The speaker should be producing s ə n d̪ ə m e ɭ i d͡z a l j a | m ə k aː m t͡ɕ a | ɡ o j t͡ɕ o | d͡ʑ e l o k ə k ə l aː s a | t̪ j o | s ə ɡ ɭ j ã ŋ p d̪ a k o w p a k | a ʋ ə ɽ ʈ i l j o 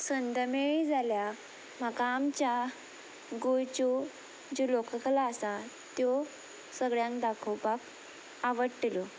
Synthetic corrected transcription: s ə n d̪ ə m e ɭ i d͡z a l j a | m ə k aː m t͡ɕ a | ɡ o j t͡ɕ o | d͡ʑ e l o k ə k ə l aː s a | t̪ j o | s ə ɡ ɭ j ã ŋ k d̪ a kʰ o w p a k | a ʋ ə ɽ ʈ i l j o